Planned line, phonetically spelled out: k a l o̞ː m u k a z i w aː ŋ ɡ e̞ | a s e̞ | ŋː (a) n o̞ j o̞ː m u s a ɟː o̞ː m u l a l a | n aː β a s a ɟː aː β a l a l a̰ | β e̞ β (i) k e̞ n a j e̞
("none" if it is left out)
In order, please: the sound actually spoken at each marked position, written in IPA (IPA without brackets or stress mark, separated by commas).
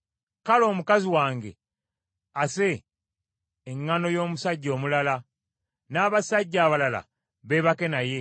a, a